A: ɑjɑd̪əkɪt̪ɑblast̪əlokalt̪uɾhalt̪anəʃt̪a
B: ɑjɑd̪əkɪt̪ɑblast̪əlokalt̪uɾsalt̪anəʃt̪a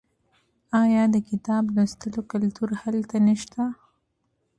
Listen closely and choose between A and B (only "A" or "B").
A